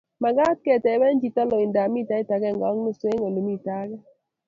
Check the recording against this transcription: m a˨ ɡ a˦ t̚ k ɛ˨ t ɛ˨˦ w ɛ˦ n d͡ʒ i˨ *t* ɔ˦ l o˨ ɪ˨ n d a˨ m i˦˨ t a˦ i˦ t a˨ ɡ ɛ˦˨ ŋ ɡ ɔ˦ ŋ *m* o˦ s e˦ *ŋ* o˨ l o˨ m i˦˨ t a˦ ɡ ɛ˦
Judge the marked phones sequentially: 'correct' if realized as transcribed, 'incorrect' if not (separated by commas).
correct, incorrect, correct